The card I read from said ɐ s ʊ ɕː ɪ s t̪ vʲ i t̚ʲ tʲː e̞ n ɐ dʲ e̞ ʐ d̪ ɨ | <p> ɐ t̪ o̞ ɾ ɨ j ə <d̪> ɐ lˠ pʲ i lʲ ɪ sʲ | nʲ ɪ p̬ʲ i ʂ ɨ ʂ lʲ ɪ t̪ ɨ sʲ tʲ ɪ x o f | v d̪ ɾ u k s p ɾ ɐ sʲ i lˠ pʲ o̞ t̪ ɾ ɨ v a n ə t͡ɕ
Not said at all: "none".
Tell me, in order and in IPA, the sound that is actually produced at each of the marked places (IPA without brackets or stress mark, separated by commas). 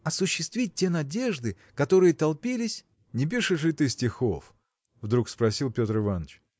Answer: k, t̪